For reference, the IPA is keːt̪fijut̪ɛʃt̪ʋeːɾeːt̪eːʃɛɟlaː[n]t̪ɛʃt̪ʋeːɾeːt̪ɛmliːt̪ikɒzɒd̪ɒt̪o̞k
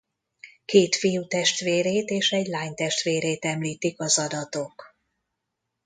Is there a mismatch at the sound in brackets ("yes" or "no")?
yes